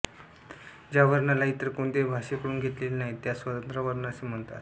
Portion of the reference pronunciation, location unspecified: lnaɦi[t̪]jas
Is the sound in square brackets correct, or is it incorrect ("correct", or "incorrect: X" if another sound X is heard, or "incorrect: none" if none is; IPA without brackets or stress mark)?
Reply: correct